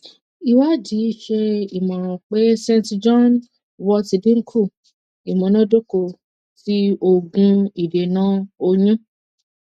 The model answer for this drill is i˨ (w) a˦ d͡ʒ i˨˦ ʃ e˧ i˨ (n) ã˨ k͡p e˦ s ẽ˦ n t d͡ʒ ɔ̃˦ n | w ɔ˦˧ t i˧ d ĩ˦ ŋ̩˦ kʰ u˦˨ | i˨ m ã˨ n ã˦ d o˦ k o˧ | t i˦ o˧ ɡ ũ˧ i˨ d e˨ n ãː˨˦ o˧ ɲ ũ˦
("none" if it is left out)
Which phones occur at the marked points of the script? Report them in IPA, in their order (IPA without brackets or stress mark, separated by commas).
w, m